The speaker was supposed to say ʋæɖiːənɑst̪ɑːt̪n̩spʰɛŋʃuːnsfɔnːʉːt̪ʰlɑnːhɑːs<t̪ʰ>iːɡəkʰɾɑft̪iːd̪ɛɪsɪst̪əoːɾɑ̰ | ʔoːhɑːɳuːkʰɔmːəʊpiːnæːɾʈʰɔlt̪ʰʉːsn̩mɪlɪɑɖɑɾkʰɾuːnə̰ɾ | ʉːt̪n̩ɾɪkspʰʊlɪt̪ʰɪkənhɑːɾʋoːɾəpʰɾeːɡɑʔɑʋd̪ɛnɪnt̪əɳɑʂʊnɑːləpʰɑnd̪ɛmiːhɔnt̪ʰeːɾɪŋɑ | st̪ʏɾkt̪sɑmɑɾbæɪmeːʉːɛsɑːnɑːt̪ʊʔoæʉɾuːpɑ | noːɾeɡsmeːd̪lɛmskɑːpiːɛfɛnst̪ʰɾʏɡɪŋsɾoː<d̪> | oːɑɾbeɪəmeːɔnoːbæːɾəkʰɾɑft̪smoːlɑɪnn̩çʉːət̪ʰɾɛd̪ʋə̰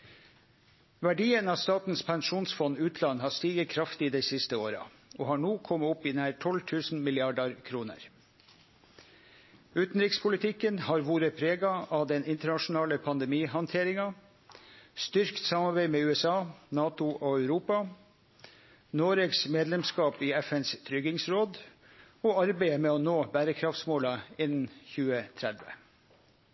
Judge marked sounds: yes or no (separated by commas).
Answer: no, yes